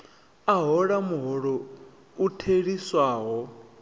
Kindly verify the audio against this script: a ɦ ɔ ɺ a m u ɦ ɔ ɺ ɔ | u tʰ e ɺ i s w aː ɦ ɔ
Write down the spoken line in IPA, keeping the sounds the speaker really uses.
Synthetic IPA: a ɦ ɔ ɺ a m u ɦ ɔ ɺ ɔ | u tʰ e ɺ i s w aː ɦ ɔ